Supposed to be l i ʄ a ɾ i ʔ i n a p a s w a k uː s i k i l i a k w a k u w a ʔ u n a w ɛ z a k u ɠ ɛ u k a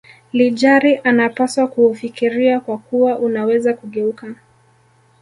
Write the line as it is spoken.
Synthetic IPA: l i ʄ a ɾ i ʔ a n a p a s w a k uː f i k i ɾ i a k w a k u w a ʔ u n a w ɛ z a k u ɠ ɛ u k a